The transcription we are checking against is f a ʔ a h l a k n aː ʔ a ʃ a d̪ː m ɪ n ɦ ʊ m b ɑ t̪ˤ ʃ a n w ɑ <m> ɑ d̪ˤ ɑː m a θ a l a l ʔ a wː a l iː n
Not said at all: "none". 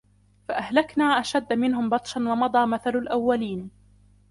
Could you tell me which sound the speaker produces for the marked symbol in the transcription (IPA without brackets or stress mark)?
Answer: m